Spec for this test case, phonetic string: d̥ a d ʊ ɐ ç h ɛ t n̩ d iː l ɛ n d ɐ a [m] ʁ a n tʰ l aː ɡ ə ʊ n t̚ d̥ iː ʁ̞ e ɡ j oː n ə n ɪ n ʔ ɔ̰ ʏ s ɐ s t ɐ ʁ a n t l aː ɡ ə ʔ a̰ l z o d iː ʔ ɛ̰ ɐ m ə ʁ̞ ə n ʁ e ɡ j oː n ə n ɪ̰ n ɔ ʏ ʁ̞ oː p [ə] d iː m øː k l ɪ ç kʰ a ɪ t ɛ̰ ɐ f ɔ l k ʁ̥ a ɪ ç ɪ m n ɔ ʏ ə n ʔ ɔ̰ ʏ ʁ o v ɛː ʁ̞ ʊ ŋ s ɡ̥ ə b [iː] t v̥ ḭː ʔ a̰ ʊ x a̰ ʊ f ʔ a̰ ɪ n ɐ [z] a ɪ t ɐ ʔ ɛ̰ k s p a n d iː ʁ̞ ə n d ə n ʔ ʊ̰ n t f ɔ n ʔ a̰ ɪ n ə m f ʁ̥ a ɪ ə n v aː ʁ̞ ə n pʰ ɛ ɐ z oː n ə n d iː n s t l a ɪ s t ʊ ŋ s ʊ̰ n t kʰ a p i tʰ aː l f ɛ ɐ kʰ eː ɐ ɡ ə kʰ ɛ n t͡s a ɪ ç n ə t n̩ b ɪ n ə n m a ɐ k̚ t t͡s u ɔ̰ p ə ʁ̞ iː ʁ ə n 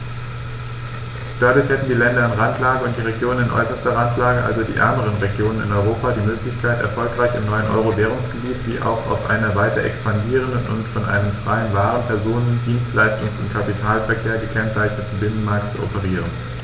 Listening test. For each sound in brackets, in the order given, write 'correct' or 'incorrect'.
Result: incorrect, incorrect, correct, incorrect

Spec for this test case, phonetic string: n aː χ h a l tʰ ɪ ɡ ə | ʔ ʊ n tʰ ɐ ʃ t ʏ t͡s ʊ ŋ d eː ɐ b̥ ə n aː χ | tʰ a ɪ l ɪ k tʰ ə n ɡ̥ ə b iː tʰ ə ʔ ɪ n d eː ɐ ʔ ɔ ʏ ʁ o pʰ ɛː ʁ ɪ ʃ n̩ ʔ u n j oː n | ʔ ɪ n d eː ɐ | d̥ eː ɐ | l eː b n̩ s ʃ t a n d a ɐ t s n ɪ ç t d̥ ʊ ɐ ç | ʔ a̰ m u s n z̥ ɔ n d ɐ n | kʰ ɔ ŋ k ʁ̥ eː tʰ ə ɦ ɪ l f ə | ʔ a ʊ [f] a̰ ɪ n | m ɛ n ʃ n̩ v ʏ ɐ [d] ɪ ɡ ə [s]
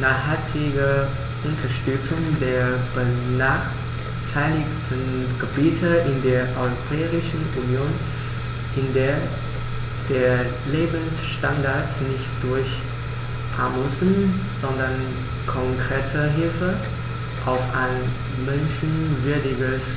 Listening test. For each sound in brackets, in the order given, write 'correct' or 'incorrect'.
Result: correct, correct, correct

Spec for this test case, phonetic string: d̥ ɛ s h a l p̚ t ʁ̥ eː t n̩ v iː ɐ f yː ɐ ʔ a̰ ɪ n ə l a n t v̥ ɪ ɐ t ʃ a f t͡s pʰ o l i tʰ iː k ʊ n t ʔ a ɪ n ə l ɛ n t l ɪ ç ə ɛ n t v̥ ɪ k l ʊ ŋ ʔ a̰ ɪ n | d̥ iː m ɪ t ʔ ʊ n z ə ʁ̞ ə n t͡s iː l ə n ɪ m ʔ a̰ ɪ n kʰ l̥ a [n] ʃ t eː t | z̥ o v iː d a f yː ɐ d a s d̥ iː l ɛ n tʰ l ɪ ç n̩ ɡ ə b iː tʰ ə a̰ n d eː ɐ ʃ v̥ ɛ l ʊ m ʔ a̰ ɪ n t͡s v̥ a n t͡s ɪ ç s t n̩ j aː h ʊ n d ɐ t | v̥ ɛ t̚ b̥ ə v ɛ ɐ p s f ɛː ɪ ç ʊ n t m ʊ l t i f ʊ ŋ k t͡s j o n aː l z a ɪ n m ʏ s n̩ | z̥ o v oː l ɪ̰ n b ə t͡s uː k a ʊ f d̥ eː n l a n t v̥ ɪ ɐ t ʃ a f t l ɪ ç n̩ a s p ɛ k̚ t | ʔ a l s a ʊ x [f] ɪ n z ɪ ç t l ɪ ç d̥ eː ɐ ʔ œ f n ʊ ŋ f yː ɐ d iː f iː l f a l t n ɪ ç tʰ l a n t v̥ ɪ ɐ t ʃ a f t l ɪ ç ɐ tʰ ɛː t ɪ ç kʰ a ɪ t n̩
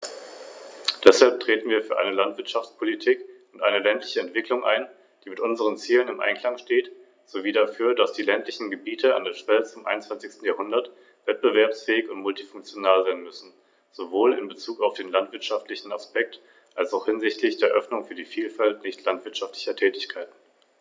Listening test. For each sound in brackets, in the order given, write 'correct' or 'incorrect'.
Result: incorrect, incorrect

